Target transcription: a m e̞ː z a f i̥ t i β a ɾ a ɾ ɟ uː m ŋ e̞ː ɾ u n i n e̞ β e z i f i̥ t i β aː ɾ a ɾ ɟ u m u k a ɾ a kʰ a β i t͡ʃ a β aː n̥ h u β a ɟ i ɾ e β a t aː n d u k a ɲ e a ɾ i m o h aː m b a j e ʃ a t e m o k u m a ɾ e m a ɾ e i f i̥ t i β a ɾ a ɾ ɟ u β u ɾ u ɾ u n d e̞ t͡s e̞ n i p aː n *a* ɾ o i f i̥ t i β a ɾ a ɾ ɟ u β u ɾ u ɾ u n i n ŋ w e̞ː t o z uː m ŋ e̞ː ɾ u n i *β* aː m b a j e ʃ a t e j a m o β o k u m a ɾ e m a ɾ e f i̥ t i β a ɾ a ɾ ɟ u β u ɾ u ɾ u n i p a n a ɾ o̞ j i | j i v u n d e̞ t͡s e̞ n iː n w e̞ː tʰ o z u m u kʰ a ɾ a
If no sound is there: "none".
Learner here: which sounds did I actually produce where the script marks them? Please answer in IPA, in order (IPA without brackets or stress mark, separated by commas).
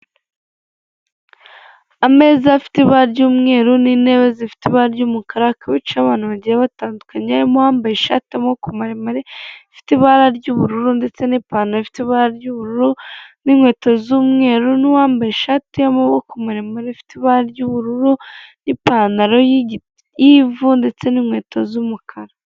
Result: a, w